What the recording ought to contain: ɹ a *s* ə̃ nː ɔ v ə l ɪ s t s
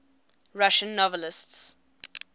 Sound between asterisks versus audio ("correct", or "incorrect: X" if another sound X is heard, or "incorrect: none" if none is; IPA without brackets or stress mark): incorrect: ʃ